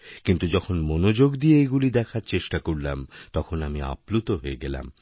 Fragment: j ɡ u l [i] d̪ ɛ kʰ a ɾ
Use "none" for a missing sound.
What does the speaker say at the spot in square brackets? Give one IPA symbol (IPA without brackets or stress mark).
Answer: i